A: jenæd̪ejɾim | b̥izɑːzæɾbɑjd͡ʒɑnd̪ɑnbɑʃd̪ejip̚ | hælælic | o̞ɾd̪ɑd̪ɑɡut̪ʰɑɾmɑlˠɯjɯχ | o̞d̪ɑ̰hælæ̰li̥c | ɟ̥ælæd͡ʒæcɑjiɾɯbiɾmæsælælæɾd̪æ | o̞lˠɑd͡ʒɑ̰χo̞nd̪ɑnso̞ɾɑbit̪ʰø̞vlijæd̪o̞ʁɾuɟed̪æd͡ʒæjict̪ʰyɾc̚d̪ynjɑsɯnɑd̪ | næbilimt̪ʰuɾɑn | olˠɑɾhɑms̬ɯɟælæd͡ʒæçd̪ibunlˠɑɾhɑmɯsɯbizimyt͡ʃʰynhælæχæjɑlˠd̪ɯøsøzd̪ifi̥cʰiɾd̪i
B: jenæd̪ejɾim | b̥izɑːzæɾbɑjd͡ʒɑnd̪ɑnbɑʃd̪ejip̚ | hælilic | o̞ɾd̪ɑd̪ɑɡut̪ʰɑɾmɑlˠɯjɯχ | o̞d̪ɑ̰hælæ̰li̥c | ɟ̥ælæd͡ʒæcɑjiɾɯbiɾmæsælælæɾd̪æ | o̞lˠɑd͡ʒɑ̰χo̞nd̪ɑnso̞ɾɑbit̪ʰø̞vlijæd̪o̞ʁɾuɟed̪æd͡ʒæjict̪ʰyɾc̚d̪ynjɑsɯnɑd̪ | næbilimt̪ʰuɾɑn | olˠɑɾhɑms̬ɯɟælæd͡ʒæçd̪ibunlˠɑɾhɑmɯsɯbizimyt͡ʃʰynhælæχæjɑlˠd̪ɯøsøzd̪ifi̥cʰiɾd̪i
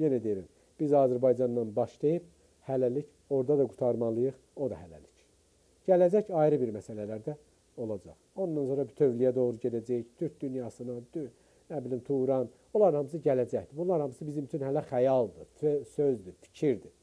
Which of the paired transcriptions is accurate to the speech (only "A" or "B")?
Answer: A